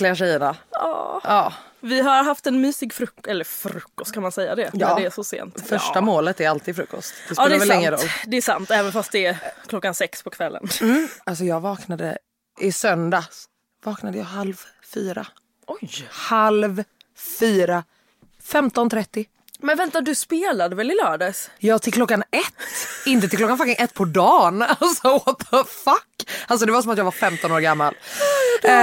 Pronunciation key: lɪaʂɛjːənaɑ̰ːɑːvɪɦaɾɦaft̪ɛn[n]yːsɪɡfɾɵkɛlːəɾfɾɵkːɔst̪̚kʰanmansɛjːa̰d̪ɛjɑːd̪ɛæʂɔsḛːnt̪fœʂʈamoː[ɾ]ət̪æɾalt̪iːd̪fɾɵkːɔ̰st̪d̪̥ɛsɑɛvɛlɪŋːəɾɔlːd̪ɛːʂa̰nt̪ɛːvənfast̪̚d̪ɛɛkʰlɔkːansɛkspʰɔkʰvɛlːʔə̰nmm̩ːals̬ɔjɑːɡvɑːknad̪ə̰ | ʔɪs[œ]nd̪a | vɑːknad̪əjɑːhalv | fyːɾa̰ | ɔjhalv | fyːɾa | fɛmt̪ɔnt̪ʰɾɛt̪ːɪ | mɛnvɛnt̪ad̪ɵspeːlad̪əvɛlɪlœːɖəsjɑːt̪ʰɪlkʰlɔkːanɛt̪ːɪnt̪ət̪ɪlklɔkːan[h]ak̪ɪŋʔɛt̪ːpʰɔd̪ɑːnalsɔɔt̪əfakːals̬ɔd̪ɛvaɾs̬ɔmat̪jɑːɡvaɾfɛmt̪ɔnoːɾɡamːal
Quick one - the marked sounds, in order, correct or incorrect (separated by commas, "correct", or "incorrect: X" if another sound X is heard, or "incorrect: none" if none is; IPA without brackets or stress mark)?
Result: incorrect: m, incorrect: l, correct, incorrect: f